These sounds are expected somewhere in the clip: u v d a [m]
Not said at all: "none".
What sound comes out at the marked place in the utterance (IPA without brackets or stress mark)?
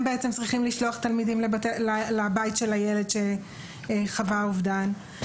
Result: n